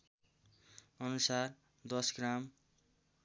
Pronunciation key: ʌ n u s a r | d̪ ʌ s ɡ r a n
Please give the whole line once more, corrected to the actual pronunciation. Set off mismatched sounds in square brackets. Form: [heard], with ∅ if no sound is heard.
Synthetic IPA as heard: ʌ n u s a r | d̪ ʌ s ɡ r a [m]